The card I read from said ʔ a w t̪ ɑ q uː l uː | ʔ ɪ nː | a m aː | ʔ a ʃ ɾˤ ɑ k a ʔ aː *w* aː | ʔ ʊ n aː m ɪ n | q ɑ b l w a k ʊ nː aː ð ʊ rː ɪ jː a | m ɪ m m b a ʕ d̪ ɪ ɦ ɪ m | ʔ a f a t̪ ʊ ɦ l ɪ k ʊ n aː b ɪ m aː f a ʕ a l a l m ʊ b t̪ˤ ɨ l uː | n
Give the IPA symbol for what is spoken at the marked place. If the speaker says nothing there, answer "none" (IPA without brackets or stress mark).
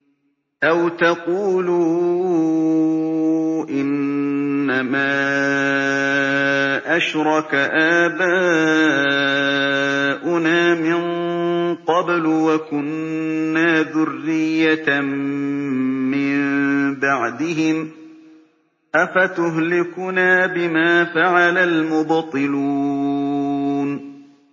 b